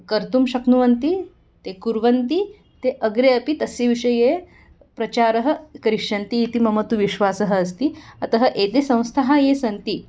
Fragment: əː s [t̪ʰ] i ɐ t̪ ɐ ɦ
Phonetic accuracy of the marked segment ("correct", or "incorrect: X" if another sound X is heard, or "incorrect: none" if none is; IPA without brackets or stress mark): incorrect: t̪